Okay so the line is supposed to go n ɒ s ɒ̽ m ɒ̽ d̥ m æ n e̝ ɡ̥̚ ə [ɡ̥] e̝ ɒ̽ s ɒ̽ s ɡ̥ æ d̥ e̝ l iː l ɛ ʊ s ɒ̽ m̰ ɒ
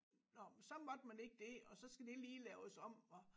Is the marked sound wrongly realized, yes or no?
yes